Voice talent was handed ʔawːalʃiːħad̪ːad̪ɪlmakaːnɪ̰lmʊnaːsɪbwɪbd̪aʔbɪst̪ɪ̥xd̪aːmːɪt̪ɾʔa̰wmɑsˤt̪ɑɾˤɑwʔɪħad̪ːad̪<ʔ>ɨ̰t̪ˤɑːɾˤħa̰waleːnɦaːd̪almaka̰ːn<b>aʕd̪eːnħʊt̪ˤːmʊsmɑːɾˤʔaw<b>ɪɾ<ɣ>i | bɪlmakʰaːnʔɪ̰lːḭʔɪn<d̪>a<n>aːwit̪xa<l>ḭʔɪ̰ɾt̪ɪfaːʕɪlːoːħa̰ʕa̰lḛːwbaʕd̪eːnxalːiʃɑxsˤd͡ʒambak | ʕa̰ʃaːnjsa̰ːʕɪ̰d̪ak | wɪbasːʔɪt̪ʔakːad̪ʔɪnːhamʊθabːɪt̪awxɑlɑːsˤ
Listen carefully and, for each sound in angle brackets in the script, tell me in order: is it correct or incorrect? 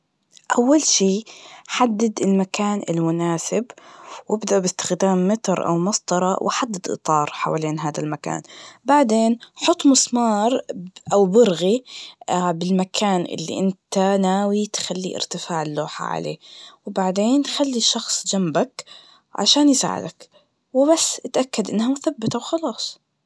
correct, correct, correct, correct, incorrect, correct, incorrect

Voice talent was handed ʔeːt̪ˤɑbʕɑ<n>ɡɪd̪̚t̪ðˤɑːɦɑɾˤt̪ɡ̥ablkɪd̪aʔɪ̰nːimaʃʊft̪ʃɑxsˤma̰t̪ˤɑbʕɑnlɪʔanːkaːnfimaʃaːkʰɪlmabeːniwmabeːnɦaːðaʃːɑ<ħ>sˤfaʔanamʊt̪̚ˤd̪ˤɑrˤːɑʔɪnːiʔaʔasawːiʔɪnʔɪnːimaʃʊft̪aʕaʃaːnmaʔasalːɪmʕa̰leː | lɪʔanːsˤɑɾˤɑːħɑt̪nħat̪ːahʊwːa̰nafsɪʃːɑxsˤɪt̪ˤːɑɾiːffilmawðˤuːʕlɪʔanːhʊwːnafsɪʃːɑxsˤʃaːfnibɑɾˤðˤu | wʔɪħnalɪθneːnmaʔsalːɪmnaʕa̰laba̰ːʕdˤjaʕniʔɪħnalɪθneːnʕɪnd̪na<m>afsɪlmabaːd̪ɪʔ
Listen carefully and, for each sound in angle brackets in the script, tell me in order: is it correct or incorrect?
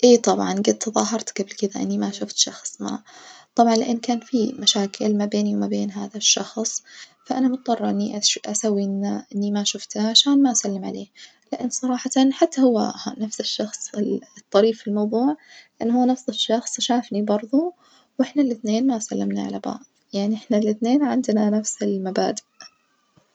correct, incorrect, incorrect

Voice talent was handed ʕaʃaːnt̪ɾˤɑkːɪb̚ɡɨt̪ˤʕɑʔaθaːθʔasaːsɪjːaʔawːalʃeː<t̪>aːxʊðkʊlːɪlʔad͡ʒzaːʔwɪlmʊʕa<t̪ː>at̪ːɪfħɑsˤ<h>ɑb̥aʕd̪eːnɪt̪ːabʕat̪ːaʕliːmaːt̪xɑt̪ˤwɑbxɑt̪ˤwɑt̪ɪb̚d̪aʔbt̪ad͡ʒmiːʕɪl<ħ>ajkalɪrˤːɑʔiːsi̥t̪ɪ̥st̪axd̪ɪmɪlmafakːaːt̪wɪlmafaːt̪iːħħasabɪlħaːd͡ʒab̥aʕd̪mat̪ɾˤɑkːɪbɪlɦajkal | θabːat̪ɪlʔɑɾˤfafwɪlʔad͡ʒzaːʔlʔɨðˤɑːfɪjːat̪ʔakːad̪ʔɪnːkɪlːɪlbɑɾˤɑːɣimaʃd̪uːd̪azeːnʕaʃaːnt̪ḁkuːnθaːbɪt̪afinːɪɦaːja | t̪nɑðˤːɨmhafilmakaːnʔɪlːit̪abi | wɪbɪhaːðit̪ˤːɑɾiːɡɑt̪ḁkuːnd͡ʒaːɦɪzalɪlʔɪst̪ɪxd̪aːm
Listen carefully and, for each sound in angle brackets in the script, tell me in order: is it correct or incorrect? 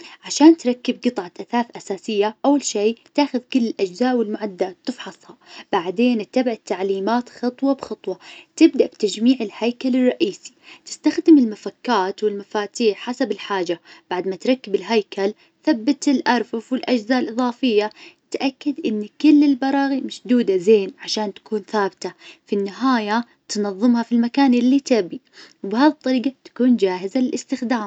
correct, incorrect, correct, incorrect

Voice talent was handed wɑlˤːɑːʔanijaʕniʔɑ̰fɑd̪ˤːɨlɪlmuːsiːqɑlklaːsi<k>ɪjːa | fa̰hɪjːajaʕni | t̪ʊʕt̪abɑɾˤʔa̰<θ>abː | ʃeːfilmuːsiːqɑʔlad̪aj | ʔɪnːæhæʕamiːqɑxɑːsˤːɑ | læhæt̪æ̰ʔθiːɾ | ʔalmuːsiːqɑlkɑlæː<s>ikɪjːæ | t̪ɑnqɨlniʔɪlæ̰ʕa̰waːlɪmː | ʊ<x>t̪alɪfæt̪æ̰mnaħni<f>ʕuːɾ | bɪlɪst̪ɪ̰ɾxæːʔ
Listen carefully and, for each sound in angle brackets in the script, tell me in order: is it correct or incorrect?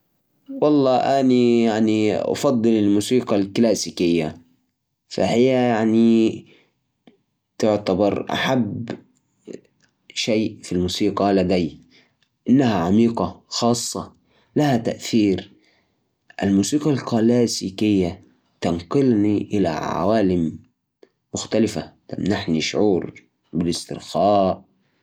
correct, incorrect, correct, correct, incorrect

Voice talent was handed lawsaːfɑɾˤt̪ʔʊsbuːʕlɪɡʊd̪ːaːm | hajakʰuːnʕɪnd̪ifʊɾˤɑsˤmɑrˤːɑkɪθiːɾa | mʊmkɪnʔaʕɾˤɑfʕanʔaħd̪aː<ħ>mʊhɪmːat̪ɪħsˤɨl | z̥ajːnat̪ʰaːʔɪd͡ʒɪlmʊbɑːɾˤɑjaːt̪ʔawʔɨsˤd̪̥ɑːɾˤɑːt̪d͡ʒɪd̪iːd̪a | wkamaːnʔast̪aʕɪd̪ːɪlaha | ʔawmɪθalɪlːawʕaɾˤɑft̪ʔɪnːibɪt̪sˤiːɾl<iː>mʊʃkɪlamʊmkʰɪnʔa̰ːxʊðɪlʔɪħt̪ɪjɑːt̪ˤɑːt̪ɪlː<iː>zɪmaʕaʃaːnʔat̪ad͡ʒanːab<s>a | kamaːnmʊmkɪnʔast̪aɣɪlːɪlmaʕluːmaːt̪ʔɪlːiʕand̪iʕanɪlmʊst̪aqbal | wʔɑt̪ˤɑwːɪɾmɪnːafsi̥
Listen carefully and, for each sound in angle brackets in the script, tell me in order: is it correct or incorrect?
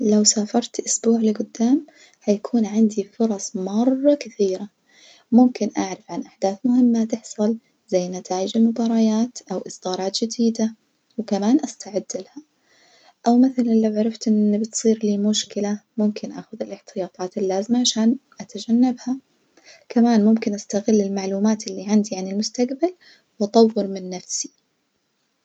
incorrect, correct, incorrect, incorrect

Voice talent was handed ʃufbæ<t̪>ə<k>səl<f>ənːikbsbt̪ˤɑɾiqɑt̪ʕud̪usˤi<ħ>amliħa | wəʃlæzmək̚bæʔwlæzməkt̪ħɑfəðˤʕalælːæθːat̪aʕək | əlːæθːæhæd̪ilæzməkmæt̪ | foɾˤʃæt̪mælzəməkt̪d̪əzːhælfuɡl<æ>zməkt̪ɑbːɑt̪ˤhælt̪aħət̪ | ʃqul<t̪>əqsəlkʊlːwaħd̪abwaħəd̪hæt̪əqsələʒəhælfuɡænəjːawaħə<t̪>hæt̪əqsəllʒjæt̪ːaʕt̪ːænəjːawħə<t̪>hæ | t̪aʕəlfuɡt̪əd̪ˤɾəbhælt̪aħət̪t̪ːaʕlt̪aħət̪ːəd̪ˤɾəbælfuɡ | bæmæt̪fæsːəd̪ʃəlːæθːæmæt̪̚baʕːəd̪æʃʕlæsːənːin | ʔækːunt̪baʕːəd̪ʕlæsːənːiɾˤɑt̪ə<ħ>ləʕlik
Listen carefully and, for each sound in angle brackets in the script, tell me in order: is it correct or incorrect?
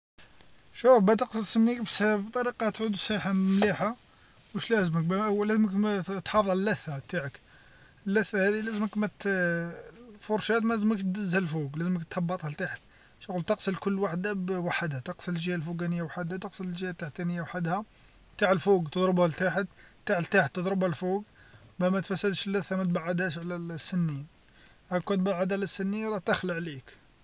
correct, incorrect, incorrect, correct, correct, correct, incorrect, incorrect, incorrect

